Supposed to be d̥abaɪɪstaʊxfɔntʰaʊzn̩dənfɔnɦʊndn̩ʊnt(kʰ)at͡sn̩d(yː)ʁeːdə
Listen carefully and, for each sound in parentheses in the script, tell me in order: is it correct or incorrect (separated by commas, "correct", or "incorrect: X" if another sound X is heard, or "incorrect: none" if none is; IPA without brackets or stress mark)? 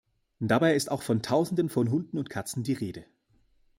correct, incorrect: iː